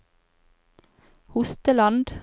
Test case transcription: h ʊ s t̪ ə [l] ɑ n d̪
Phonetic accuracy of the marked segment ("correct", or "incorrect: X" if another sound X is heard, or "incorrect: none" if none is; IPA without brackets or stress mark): correct